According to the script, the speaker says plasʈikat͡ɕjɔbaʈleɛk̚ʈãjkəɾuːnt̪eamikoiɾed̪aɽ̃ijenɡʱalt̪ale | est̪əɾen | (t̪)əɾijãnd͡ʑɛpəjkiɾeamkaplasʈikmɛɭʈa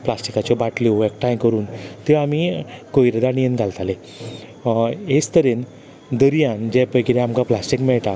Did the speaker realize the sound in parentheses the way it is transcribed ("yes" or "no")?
no